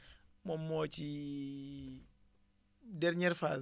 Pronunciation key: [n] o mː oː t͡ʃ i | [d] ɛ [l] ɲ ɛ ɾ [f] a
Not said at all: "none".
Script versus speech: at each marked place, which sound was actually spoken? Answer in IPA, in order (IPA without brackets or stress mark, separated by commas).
m, d, ɾ, f